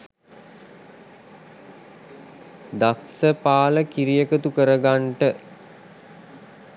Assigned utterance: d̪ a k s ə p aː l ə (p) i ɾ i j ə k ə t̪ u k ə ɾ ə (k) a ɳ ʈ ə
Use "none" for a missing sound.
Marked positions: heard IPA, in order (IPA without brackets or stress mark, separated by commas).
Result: k, ɡ